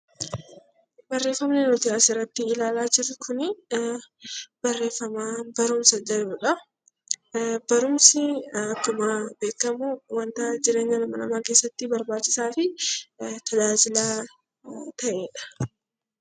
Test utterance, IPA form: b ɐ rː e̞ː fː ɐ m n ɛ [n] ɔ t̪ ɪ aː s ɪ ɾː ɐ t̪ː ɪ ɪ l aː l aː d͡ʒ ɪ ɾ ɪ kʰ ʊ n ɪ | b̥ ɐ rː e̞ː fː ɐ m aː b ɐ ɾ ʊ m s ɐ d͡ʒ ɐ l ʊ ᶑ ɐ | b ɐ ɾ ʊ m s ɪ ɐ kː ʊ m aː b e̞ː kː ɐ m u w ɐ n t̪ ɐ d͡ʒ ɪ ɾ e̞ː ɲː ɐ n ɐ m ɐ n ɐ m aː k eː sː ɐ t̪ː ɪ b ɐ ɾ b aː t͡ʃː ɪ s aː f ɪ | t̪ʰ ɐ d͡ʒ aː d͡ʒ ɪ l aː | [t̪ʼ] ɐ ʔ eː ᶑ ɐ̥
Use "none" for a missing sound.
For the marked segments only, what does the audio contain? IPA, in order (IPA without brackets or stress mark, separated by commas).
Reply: n, t̪